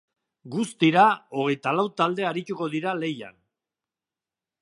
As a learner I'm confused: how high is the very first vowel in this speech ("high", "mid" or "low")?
high